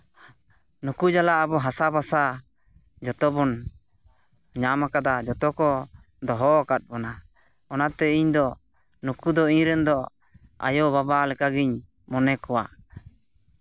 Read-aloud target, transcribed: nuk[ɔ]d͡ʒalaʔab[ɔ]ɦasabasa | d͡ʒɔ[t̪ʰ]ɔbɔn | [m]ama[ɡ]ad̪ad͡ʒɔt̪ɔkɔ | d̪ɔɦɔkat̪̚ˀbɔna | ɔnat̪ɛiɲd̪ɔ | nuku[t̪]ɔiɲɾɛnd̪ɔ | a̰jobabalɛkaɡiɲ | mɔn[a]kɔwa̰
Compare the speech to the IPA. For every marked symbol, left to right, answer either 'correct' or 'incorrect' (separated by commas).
incorrect, correct, incorrect, incorrect, incorrect, incorrect, incorrect